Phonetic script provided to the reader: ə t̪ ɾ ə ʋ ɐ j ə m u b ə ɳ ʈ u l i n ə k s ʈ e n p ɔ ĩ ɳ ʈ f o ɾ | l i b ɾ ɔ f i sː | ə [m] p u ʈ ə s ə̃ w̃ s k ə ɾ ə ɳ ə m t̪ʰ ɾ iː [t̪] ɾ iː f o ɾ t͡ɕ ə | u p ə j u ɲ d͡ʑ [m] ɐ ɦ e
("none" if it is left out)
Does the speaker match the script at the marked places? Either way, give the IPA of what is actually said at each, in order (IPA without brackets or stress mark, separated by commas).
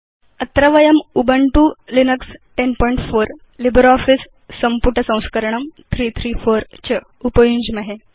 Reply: m, t̪ʰ, m